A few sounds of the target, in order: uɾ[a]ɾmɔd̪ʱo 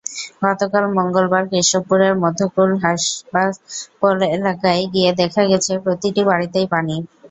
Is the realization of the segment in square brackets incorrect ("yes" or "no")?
yes